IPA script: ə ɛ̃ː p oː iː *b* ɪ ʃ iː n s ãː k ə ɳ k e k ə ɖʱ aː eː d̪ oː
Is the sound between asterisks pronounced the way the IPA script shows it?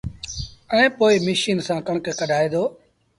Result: no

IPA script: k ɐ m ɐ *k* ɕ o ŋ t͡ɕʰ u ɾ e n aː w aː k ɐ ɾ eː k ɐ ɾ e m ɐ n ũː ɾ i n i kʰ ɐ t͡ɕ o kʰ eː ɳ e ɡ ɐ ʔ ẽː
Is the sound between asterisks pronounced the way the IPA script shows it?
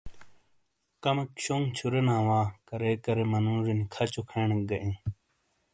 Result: yes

